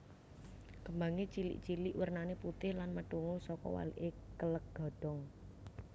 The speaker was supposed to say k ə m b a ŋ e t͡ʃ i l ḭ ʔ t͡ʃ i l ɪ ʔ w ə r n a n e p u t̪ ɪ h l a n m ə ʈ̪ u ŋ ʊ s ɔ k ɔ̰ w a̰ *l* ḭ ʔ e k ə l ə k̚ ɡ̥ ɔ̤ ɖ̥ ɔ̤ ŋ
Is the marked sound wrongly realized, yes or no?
no